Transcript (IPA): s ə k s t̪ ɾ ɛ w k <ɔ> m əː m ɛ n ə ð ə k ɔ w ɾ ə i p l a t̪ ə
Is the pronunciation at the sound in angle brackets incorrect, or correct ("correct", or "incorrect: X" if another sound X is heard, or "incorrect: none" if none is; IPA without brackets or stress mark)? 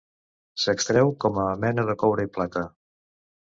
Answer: correct